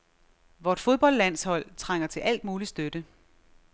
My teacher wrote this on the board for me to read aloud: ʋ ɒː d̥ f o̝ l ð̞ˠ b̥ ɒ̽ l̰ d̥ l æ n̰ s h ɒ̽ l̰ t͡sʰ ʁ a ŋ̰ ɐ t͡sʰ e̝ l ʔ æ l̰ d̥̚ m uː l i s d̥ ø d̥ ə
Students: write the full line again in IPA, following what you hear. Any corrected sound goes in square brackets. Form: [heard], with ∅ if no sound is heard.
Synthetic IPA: ʋ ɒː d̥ f o̝ [∅] ð̞ˠ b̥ ɒ̽ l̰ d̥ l æ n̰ s h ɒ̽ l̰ t͡sʰ ʁ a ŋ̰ ɐ t͡sʰ e̝ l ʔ æ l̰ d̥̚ m uː l i s d̥ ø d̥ ə